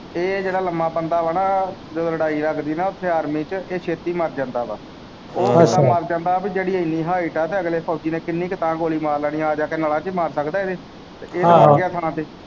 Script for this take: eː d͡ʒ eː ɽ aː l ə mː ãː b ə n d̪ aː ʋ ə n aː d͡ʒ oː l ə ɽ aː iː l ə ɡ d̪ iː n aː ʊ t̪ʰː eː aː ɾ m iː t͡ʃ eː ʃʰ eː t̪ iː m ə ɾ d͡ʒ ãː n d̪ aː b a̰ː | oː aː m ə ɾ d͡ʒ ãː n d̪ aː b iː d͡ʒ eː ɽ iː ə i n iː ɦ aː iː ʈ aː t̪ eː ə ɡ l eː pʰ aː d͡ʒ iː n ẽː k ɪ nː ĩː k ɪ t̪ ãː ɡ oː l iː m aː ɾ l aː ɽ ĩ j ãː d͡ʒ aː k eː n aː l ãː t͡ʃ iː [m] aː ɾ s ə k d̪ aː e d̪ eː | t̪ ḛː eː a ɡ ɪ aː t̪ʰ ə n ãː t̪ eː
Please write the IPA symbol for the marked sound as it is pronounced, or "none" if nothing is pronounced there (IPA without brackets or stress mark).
m